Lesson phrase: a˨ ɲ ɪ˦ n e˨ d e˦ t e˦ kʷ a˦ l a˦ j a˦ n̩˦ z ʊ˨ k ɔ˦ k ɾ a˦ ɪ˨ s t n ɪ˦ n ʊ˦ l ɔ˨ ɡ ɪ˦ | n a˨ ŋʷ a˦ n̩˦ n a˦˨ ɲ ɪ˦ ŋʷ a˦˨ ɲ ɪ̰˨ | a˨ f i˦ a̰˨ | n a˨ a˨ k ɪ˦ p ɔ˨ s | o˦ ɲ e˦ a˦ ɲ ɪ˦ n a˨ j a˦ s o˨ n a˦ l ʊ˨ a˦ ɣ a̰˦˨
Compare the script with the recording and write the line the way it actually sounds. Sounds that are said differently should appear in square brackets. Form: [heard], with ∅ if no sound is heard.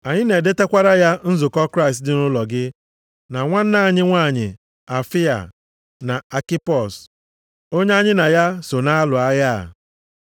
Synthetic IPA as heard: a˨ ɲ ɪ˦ n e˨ d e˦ t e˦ kʷ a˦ [ɾ] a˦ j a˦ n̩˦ z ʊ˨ k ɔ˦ k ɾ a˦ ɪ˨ s t [d] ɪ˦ n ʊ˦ l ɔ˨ ɡ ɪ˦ | n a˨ ŋʷ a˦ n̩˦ n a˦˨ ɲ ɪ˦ ŋʷ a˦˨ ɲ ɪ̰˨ | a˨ f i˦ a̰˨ | n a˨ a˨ k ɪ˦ p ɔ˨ s | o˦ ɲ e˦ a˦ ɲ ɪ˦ n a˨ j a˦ s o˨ n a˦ l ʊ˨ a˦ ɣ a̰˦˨